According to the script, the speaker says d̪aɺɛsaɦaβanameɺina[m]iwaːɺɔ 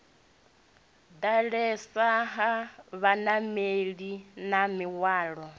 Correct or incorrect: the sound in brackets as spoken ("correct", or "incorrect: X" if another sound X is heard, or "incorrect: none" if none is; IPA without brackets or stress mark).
correct